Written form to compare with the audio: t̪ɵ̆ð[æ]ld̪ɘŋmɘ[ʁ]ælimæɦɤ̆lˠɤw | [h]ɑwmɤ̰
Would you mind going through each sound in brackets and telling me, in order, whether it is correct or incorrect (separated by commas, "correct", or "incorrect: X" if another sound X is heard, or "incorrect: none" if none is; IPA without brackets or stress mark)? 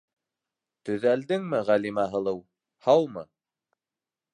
correct, correct, correct